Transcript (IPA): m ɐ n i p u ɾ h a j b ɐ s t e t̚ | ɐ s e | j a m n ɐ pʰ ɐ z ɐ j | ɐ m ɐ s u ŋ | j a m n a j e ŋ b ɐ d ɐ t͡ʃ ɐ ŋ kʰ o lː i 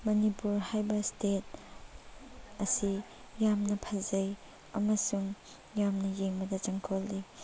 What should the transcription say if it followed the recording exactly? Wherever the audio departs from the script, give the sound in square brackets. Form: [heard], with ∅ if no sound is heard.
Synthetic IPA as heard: m ɐ n i p u ɾ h a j b ɐ s t e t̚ | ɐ s [i] | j a m n ɐ pʰ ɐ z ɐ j | ɐ m ɐ s u ŋ | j a m n [ɐ] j e ŋ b ɐ d ɐ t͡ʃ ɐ ŋ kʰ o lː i